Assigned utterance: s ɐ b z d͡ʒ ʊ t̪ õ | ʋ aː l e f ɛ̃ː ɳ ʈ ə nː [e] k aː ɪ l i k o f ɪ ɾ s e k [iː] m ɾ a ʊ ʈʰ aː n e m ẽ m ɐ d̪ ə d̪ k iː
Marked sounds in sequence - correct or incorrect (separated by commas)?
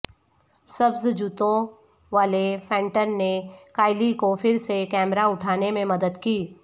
correct, incorrect